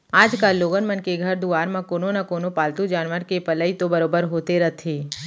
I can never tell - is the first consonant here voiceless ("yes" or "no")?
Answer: no